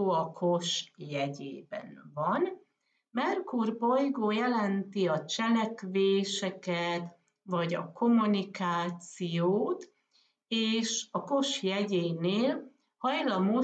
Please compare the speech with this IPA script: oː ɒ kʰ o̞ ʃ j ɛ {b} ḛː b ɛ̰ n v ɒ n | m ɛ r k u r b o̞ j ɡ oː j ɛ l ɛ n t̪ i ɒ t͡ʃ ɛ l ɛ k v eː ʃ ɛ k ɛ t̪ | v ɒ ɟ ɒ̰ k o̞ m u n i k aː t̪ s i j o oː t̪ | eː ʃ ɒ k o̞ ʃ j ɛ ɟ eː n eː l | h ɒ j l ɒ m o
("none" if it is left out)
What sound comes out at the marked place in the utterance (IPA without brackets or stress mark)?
ɟ